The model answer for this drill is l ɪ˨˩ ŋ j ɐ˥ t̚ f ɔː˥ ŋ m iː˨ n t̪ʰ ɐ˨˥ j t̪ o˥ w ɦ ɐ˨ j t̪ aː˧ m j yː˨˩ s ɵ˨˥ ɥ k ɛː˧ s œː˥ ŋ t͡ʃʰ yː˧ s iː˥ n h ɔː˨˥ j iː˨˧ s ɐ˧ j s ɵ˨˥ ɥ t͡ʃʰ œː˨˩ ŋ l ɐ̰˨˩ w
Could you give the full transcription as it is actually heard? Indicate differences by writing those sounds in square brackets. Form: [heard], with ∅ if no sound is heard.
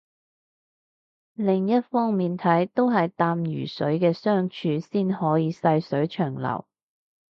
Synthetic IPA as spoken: l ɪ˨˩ ŋ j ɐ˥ t̚ f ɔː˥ ŋ m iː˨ n t̪ʰ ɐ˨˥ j t̪ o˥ w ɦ ɐ˨ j t̪ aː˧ m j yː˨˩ s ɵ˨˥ ɥ k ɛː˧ s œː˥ ŋ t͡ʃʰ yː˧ s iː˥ n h ɔː˨˥ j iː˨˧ s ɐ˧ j s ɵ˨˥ ɥ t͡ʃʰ œː˨˩ ŋ l ɐ̰˨˩ w

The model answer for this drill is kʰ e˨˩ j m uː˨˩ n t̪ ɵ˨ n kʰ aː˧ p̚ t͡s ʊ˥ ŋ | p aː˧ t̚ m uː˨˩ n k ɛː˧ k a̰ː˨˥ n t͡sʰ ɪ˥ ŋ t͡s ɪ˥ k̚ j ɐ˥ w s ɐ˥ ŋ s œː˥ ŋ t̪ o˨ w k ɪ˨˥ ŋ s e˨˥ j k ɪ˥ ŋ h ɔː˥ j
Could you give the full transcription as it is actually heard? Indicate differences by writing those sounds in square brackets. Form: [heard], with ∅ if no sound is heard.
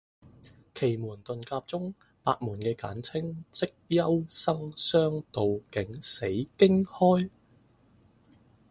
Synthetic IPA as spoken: kʰ e˨˩ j m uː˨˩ n t̪ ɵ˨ n [k] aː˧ p̚ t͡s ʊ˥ ŋ | p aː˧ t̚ m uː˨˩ n k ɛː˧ k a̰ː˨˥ n t͡sʰ ɪ˥ ŋ t͡s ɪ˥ k̚ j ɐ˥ w s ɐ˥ ŋ s œː˥ ŋ t̪ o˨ w k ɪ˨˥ ŋ s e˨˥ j k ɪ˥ ŋ h ɔː˥ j

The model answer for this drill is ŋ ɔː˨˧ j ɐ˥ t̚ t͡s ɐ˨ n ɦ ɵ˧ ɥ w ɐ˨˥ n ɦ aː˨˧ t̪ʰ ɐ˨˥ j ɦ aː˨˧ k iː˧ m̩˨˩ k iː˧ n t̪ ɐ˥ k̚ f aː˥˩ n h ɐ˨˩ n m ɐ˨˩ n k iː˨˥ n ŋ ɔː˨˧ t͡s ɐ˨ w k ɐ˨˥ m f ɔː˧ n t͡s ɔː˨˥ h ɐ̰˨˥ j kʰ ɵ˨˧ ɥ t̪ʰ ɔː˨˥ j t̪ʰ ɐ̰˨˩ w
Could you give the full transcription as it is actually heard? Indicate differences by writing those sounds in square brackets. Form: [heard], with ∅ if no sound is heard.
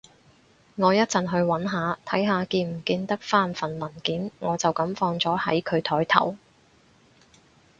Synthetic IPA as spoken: ŋ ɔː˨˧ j ɐ˥ t̚ t͡s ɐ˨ n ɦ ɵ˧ ɥ w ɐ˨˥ n ɦ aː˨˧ t̪ʰ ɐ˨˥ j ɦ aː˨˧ k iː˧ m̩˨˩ k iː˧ n t̪ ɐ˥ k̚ f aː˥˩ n [f] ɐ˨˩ n m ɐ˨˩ n k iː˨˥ n ŋ ɔː˨˧ t͡s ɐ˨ w k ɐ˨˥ m f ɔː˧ [ŋ] t͡s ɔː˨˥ h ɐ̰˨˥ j kʰ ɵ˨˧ ɥ t̪ʰ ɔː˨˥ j t̪ʰ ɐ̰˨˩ w

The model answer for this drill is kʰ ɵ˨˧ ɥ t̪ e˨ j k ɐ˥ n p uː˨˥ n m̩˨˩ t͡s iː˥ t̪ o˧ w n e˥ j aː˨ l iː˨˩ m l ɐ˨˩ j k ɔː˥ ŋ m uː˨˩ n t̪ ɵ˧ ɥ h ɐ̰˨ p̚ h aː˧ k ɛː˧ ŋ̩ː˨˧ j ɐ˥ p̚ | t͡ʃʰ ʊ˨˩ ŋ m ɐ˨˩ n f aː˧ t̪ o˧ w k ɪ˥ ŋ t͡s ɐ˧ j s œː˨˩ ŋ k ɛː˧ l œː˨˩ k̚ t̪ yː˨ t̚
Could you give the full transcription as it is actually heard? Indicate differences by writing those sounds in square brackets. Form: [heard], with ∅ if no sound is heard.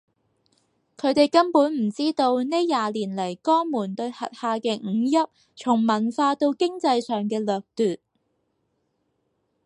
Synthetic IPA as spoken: kʰ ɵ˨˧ ɥ t̪ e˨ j k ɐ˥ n p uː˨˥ n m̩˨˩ t͡s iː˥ t̪ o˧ w n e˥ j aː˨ l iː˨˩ [n] l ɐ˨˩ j k ɔː˥ ŋ m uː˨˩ n t̪ ɵ˧ ɥ h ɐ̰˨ [t̚] h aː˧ k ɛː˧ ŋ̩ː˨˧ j ɐ˥ p̚ | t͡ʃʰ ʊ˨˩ ŋ m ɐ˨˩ n f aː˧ t̪ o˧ w k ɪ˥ ŋ t͡s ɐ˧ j s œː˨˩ ŋ k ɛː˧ l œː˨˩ k̚ t̪ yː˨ t̚

